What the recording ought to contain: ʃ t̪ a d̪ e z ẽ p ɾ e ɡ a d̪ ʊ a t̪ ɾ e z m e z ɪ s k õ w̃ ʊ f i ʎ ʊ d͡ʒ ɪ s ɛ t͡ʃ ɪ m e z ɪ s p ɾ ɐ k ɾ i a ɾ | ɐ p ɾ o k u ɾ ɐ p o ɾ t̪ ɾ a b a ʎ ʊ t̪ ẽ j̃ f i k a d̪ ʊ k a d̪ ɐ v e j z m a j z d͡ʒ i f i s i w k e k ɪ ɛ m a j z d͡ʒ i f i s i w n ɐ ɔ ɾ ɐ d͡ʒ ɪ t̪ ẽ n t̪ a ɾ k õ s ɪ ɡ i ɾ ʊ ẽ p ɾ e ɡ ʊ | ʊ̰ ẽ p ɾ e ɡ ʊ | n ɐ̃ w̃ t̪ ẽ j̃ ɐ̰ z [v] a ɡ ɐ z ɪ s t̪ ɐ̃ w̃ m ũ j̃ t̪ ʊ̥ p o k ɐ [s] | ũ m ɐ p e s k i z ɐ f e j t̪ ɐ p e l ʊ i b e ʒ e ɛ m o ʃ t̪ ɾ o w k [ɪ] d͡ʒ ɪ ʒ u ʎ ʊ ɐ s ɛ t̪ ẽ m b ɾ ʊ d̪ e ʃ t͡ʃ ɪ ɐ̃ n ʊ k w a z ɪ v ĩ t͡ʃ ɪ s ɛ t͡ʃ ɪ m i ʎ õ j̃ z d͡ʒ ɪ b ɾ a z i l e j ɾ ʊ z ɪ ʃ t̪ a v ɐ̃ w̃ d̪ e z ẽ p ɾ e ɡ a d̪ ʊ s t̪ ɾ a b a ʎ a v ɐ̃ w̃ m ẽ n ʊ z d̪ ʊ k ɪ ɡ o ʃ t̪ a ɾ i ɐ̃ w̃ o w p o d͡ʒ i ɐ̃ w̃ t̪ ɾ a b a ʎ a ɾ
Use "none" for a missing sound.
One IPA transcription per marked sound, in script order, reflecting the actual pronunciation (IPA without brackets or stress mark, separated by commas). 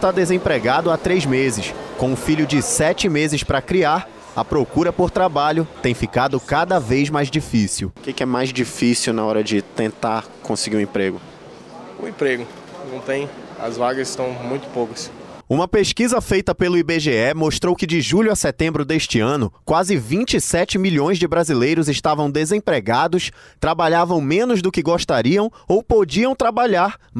v, s, ɪ